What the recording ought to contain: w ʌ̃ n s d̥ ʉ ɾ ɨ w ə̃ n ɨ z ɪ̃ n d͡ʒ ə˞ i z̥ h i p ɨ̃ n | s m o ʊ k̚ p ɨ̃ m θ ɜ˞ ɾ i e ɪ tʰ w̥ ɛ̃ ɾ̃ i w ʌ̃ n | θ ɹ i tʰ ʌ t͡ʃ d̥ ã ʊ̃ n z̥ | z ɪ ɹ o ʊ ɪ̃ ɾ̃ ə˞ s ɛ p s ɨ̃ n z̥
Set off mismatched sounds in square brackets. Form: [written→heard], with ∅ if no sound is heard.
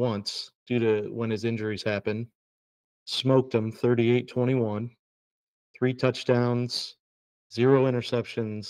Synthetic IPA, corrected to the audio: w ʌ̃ n s d̥ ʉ ɾ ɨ w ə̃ n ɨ z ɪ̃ n d͡ʒ ə˞ i z̥ h [i→æ] p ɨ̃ n | s m o ʊ k̚ [p→t] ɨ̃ m θ ɜ˞ ɾ i e ɪ tʰ w̥ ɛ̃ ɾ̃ i w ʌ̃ n | θ ɹ i tʰ ʌ t͡ʃ d̥ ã ʊ̃ n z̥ | z ɪ ɹ o ʊ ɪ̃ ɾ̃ ə˞ s ɛ p [s→ʃ] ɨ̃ n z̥